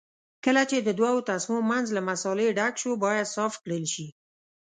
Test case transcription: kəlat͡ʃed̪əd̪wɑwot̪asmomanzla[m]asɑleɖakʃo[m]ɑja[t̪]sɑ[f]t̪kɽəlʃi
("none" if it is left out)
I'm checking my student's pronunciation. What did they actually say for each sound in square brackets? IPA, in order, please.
m, b, d̪, f

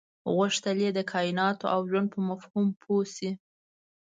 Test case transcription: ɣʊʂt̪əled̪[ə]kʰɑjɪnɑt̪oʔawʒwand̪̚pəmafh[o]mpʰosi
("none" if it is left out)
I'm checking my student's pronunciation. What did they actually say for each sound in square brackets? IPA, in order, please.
ə, u

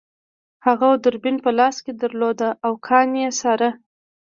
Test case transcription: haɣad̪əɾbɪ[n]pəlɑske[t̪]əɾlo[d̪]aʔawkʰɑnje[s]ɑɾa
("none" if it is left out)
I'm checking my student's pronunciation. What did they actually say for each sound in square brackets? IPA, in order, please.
n, d̪, d̪, s

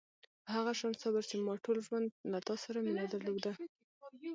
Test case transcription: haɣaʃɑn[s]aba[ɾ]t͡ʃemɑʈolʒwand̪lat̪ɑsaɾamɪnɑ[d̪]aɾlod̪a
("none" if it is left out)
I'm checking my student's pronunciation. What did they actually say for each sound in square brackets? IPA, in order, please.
s, ɾ, d̪

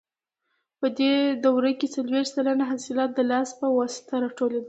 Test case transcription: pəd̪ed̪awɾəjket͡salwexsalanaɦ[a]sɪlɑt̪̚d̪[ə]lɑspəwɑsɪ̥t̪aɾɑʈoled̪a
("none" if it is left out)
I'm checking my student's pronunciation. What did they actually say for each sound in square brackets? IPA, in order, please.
a, ə

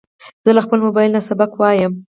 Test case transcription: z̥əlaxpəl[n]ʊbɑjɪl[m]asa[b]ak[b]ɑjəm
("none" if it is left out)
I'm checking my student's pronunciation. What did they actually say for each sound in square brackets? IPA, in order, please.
m, n, b, w

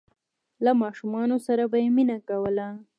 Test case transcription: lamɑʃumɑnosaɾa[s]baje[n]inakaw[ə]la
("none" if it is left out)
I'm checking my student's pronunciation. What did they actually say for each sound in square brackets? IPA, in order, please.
none, m, ə

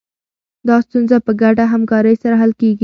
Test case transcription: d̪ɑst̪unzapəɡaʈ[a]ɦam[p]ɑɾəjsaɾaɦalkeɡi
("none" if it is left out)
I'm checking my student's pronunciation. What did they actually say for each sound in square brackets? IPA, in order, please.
a, k

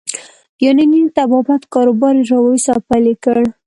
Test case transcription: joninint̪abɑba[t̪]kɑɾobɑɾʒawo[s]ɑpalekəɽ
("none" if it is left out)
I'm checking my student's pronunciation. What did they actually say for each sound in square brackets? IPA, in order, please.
t̪, s

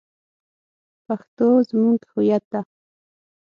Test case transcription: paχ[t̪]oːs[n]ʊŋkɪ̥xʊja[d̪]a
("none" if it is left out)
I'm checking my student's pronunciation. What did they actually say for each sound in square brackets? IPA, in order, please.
t̪, m, t̪

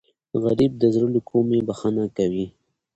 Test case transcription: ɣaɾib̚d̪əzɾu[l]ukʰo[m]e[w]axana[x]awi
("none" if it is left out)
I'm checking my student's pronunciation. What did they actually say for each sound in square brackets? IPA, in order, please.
l, m, b, k

